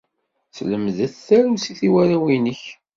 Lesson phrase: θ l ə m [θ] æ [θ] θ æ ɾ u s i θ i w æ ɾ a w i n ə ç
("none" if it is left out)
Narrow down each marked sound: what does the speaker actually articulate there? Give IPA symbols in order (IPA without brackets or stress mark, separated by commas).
ð, θ